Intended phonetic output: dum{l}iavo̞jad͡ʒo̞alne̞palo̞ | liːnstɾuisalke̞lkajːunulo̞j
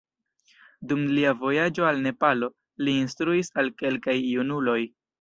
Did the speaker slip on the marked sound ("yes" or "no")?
no